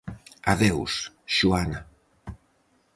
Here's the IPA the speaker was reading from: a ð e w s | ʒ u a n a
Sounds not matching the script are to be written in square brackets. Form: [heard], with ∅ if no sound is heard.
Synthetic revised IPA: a ð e w s | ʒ u a n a